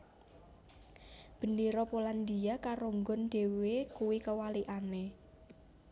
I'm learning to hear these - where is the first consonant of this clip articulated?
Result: lips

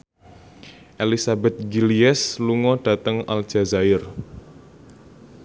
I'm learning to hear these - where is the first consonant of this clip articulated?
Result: throat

